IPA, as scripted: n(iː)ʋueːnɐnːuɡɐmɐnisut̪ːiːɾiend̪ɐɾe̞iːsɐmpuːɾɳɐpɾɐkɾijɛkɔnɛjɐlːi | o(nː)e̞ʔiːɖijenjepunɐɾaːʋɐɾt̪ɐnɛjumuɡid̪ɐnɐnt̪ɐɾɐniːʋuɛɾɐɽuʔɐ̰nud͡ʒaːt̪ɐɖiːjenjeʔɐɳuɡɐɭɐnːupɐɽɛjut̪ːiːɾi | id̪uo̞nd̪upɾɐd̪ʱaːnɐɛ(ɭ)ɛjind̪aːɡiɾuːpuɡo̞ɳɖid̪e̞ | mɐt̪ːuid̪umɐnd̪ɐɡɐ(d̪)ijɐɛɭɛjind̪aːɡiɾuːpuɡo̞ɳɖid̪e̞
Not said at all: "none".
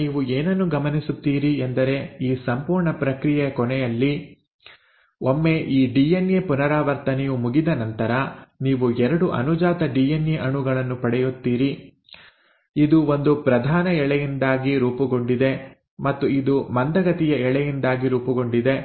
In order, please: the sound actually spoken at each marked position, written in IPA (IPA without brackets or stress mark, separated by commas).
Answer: iː, mː, ɭ, t̪